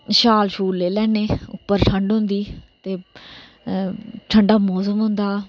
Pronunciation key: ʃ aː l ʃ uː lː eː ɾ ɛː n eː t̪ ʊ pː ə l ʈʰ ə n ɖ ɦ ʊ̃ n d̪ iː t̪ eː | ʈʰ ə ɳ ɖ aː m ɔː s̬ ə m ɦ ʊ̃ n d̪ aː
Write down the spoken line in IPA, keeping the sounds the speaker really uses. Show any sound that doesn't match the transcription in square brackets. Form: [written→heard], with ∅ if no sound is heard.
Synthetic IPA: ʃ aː l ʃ uː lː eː [ɾ→l] ɛː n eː [t̪→∅] ʊ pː ə [l→ɾ] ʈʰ ə [n→ɳ] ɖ ɦ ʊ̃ n d̪ iː t̪ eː | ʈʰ ə ɳ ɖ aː m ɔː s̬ ə m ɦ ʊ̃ n d̪ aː